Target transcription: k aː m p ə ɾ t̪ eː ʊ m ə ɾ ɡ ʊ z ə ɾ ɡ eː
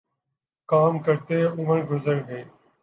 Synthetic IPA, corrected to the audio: k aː m k ə ɾ t̪ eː ʊ m ə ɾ ɡ ʊ z ə ɾ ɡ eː